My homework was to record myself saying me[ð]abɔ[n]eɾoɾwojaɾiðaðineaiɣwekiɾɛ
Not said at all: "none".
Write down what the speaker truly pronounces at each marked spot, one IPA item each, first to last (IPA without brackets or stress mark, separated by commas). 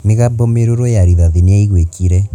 ɣ, m